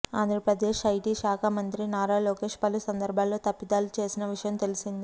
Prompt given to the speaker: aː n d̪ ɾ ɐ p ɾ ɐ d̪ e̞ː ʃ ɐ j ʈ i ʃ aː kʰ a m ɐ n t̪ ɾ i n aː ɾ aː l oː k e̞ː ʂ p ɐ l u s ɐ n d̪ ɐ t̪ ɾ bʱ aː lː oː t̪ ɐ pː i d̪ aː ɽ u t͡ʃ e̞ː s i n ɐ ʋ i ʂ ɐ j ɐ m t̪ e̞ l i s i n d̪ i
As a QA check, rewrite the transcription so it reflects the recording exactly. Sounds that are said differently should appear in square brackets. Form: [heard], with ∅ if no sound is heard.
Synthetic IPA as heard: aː n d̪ ɾ ɐ p ɾ ɐ d̪ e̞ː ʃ ɐ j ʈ i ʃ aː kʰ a m ɐ n t̪ ɾ i n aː ɾ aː l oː k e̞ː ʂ p ɐ l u s ɐ n d̪ ɐ [∅] ɾ bʱ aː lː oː t̪ ɐ pː i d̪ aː [l] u t͡ʃ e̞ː s i n ɐ ʋ i ʂ ɐ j ɐ m t̪ e̞ l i s i n d̪ i